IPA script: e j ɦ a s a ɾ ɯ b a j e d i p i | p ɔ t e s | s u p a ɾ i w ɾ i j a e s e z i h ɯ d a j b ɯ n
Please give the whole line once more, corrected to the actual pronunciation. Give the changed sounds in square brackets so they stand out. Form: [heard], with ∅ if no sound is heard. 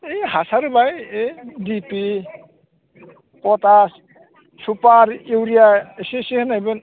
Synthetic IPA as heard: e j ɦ a s a ɾ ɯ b a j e d i p i | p ɔ t [a] s | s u p a ɾ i w ɾ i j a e s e [s] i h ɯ [n] a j b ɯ n